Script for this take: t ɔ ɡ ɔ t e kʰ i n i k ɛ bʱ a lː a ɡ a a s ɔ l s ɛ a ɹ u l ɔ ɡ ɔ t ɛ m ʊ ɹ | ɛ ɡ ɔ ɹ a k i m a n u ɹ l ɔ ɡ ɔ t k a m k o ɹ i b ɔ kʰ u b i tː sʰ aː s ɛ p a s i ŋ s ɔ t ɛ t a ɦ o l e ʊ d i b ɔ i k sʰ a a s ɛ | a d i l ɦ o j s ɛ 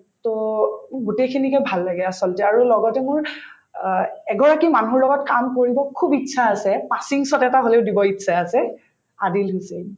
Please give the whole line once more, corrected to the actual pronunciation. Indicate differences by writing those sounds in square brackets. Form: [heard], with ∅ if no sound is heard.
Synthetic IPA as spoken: t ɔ ɡ [u] t e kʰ i n i k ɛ bʱ a lː a ɡ [ɛ] a s ɔ l [t] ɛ a ɹ u l ɔ ɡ ɔ t ɛ m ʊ ɹ | ɛ ɡ ɔ ɹ a k i m a n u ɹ l ɔ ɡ ɔ t k a m k o ɹ i b ɔ kʰ u b i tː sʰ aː s ɛ p a s i ŋ s ɔ t ɛ t a ɦ o l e ʊ d i b ɔ i [t] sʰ a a s ɛ | a d i l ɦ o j s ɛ

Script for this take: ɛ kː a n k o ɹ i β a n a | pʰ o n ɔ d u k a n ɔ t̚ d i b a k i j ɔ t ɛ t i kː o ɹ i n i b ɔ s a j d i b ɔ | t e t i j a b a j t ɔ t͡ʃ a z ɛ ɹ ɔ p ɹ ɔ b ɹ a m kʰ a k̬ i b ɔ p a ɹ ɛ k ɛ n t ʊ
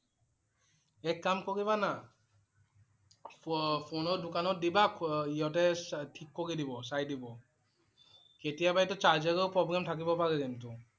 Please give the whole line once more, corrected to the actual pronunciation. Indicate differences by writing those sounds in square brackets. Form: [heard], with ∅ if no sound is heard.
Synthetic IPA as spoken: ɛ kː a [m] k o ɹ i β a n a | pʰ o n ɔ d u k a n ɔ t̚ d i b a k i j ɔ t ɛ [tʰ] i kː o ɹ i [d] i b ɔ s a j d i b ɔ | [k] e t i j a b a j t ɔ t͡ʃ a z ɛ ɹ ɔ p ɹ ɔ b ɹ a m [tʰ] a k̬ i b ɔ p a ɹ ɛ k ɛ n t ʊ

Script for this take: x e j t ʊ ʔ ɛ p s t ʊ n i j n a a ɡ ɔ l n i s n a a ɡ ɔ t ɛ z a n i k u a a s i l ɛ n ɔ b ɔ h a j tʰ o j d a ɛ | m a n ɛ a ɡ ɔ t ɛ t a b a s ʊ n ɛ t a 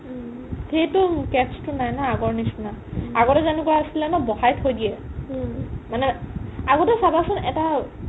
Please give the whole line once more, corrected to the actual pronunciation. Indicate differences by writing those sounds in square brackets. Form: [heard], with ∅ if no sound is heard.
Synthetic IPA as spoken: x e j t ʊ [k] ɛ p s t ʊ n [a] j n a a ɡ ɔ [ɹ] n i s n a a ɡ ɔ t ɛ z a n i k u a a s i l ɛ n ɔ b ɔ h a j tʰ o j d [i] ɛ | m a n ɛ a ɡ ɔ t ɛ [s] a b a s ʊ n ɛ t a

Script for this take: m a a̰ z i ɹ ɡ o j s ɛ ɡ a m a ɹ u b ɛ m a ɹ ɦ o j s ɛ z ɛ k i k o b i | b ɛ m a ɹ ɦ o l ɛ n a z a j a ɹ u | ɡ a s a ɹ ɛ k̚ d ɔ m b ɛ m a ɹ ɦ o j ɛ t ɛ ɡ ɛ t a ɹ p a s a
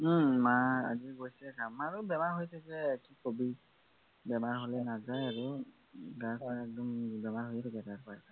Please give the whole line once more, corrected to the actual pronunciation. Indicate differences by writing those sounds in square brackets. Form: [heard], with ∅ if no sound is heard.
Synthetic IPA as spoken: m a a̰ z i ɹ ɡ o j s ɛ ɡ a m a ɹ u b ɛ m a ɹ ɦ o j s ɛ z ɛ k i k o b i | b ɛ m a ɹ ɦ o l ɛ n a z a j a ɹ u | ɡ a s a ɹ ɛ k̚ d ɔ m b ɛ m a ɹ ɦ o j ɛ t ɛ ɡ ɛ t a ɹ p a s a

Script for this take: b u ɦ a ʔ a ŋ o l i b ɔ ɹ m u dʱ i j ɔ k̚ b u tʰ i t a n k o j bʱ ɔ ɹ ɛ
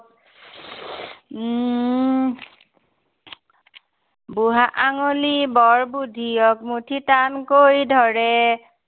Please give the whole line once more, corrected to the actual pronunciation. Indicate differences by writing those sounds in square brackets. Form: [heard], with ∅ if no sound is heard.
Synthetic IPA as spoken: b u ɦ a ʔ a ŋ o l i b ɔ ɹ [b] u dʱ i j ɔ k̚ [m] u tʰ i t a n k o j [dʱ] ɔ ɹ ɛ

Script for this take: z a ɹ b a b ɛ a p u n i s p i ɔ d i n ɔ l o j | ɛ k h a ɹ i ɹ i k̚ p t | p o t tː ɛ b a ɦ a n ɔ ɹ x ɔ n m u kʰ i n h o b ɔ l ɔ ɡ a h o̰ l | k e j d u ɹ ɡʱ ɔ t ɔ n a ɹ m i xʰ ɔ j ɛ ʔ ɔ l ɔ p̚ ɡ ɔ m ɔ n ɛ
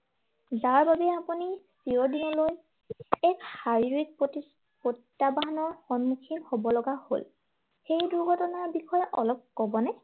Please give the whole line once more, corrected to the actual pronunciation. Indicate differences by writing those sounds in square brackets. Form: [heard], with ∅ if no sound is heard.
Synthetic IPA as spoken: z a ɹ b a b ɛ a p u n i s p i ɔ d i n ɔ l o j | ɛ k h a ɹ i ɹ i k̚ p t | p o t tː [a] b a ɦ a n ɔ ɹ x ɔ n m u kʰ i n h o b ɔ l ɔ ɡ a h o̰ l | [x] e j d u ɹ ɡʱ ɔ t ɔ n a ɹ [b] i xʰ ɔ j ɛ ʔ ɔ l ɔ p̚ [k] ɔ [b] ɔ n ɛ

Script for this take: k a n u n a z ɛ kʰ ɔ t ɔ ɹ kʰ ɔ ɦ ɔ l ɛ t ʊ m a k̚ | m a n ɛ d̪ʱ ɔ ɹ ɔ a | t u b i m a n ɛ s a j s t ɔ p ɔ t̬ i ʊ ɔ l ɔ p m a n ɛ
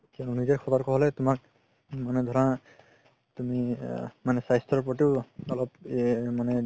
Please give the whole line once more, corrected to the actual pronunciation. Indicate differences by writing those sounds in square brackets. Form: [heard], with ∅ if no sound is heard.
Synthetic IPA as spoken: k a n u n [i] z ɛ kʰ ɔ t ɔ ɹ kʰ ɔ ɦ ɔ l ɛ t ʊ m a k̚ | m a n ɛ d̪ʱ ɔ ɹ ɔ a | t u [m] i m a n ɛ s a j s t ɔ p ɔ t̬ i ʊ ɔ l ɔ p m a n ɛ

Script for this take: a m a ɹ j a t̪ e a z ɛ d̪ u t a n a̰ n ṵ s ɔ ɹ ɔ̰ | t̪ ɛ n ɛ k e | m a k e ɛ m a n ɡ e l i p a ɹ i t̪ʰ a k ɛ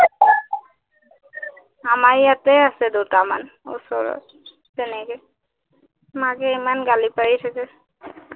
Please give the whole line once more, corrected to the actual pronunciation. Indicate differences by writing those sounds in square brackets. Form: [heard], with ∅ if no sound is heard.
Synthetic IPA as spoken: a m a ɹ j a t̪ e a [s] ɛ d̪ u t a [m] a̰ n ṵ s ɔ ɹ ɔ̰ | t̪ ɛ n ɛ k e | m a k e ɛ m a n ɡ [a] l i p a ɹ i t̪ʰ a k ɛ

